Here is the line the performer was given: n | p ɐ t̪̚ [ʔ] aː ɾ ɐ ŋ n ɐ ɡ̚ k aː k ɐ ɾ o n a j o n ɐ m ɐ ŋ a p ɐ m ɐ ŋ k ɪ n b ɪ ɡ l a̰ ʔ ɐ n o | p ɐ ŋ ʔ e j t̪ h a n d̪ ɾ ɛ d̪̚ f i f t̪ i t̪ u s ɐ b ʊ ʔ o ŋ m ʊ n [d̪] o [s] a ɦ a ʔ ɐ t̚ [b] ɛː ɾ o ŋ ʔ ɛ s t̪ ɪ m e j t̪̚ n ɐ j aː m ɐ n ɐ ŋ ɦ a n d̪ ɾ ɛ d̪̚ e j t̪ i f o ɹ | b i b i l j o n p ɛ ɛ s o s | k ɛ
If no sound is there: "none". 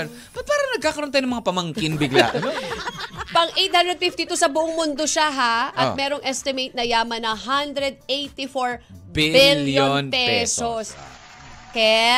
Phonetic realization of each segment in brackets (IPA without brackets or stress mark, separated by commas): p, d̪, ʃ, m